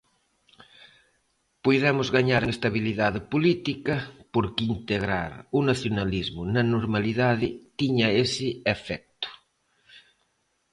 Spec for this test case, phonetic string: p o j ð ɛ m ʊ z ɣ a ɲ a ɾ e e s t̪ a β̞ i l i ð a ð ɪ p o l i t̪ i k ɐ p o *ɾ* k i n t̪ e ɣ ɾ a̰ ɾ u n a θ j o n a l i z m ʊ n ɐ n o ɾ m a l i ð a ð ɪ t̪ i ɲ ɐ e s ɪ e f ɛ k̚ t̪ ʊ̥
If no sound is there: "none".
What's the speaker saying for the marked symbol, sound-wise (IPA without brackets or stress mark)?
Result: ɾ